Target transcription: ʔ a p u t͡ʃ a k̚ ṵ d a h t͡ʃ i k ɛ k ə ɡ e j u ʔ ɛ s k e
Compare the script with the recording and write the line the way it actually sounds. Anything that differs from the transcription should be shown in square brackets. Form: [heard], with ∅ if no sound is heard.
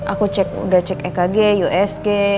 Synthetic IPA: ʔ a [k] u t͡ʃ [ɛ] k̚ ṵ d a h t͡ʃ [ɛ] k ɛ k [a] ɡ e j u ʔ ɛ s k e

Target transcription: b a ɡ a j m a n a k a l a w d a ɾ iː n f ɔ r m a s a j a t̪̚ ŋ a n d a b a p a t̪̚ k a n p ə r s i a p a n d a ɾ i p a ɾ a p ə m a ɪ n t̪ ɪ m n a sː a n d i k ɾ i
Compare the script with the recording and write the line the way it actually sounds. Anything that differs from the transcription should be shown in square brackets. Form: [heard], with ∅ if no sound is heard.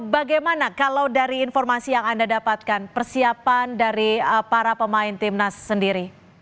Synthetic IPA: b a ɡ a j m a n a k a l a w d a ɾ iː n f ɔ r m a s [i] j a [∅] ŋ a n d a [d] a p a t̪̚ k a n p ə r s i a p a n d a ɾ i p a ɾ a p ə m a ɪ n t̪ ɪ m n a sː [ə] n d i [∅] ɾ i

